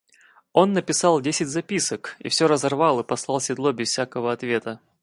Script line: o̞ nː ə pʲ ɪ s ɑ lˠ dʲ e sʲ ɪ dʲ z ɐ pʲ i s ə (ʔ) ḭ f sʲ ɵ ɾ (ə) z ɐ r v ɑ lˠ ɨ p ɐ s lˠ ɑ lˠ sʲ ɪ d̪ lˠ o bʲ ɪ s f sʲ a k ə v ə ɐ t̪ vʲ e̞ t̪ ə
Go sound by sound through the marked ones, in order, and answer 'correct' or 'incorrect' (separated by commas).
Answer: incorrect, correct